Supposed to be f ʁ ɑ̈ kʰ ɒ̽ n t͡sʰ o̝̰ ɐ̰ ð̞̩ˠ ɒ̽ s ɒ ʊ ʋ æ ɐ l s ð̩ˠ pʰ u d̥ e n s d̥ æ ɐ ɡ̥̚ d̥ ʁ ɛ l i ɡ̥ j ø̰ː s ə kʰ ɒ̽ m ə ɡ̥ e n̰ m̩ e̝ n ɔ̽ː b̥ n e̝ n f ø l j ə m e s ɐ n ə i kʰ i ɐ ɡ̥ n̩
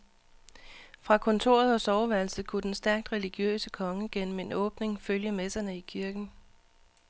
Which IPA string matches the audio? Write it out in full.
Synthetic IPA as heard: f ʁ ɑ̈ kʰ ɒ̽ n t͡sʰ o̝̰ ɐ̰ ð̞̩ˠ ɒ̽ s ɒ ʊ ʋ æ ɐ l s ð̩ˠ kʰ u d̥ e n s d̥ æ ɐ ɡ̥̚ d̥ ʁ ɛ l i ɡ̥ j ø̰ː s ə kʰ ɒ̽ ŋ ə ɡ̥ e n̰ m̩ e̝ n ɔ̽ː b̥ n e̝ ŋ f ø l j ə m e s ɐ n ə i kʰ i ɐ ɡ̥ n̩